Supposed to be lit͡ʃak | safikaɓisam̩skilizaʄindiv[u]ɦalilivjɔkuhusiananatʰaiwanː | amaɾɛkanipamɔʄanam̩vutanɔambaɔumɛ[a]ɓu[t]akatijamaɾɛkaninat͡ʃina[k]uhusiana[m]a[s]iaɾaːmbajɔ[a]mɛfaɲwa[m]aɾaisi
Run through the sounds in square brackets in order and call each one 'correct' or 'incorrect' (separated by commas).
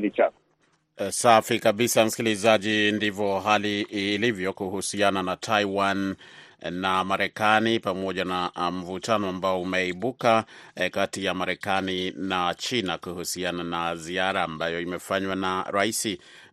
incorrect, incorrect, incorrect, correct, incorrect, incorrect, incorrect, incorrect